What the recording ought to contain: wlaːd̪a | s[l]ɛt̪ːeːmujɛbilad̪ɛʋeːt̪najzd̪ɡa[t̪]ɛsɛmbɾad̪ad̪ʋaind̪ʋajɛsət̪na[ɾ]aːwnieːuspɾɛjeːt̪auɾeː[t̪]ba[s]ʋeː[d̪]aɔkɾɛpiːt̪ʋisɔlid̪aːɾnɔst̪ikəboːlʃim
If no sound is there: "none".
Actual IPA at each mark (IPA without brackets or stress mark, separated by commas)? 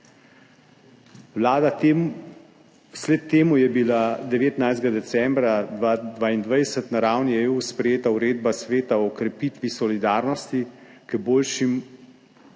l, d̪, ɾ, d̪, s, t̪